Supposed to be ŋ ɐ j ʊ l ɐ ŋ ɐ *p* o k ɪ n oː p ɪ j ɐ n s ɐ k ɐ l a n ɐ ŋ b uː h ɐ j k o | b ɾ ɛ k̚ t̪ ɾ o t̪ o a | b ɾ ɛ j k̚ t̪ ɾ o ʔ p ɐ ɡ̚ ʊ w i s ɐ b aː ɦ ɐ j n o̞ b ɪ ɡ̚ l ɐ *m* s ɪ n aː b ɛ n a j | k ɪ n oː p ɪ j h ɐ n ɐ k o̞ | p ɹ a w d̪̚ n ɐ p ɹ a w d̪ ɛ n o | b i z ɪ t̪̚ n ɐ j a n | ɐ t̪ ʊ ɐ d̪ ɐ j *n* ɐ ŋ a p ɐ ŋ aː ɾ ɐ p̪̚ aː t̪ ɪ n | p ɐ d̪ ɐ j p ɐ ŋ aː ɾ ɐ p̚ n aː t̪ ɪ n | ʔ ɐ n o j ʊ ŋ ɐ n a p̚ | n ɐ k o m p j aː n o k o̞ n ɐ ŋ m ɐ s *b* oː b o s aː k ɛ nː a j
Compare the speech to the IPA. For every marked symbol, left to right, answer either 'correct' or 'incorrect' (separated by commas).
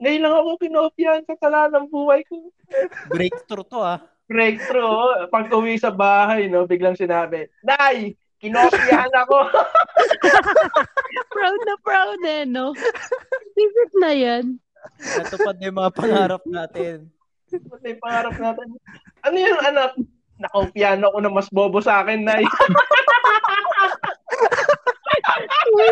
incorrect, incorrect, incorrect, correct